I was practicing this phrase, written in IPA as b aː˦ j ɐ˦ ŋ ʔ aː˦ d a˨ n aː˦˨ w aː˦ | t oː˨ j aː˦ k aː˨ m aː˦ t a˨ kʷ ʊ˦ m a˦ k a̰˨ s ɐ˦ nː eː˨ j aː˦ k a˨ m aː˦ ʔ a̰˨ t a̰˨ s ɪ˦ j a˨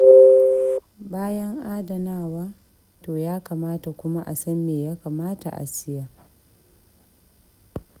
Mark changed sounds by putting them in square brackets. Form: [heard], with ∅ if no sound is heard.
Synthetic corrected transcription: b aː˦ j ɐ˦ ŋ ʔ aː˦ d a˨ n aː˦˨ w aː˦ | t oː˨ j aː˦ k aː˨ m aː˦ t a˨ kʷ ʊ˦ m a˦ [ʔ] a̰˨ s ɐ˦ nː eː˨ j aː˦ k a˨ m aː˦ [t] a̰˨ [ʔ] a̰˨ s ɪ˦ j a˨